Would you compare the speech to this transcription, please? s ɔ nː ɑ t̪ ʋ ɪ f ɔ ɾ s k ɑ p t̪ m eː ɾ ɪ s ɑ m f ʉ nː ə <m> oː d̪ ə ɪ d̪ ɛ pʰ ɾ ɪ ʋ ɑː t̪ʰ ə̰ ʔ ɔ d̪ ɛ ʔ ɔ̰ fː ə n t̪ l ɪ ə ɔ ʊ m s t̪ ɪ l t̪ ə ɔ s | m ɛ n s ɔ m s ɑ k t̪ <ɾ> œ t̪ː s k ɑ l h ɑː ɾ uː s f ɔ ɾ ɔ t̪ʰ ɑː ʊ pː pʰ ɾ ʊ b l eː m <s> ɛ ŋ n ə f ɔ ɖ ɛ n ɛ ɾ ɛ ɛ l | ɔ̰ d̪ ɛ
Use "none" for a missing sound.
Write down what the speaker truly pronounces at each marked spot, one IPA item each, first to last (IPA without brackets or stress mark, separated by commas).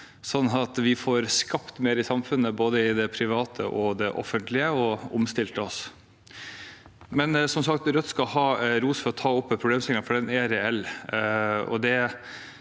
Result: b, ɾ, s